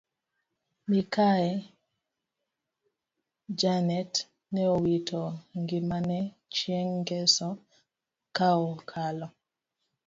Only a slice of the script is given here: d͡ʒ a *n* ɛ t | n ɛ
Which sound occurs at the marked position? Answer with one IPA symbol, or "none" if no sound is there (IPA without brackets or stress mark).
n